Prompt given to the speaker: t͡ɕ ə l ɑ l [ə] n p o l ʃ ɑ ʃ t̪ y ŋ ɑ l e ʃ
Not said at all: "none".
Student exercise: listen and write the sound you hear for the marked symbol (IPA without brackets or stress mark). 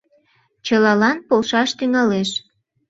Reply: ɑ